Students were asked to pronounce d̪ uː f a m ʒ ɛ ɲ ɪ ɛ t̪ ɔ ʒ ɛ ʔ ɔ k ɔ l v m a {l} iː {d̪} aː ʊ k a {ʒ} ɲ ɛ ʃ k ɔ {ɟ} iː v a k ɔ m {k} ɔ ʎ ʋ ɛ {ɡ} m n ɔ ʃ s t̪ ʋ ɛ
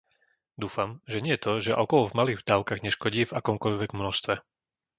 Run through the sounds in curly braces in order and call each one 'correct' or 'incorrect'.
correct, correct, incorrect: ɣ, correct, correct, correct

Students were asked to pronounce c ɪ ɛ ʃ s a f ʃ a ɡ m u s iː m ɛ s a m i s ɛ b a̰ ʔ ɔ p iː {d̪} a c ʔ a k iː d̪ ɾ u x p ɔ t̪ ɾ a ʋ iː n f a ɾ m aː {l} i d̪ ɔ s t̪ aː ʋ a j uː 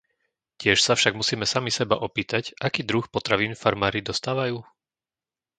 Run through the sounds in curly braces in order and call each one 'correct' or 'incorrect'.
incorrect: t̪, incorrect: ɾ

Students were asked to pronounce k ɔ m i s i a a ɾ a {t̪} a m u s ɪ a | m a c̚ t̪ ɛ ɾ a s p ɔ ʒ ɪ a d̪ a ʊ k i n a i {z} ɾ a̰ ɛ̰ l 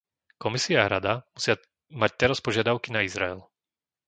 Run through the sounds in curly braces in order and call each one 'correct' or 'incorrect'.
incorrect: d̪, correct

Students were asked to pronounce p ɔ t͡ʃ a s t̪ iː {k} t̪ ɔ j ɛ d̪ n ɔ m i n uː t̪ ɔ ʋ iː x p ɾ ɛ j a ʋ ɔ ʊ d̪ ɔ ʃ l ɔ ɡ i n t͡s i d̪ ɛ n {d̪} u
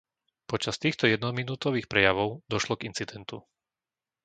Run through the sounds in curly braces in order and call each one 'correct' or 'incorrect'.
incorrect: x, incorrect: t̪

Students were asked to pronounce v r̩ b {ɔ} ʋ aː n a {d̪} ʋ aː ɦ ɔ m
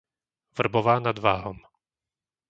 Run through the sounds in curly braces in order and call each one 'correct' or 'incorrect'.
correct, correct

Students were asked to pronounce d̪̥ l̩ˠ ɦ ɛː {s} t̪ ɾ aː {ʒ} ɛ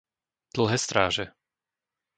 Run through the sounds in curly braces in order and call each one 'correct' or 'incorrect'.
correct, correct

